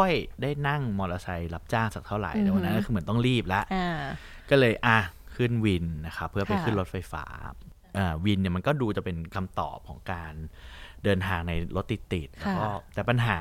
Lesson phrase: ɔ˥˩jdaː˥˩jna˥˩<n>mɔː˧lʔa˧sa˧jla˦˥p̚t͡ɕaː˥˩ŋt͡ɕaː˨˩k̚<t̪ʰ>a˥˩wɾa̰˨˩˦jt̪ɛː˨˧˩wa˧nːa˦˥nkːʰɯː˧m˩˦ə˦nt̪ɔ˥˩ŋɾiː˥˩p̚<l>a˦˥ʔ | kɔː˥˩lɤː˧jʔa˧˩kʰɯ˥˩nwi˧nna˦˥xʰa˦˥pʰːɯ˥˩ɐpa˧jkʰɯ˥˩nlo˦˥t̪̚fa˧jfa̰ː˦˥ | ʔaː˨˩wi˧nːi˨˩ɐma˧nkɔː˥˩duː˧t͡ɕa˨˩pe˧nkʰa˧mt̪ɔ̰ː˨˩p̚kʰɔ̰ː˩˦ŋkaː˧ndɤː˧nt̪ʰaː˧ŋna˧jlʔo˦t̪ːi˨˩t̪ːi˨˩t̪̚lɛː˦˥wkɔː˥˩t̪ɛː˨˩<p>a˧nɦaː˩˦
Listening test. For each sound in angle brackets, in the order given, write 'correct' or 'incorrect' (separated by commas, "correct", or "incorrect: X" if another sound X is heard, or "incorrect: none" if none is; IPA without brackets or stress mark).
incorrect: ŋ, correct, correct, correct